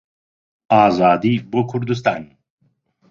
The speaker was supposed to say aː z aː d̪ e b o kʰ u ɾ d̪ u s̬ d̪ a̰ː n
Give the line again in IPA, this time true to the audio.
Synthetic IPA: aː z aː d̪ i b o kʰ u ɾ d̪ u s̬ t̪ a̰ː n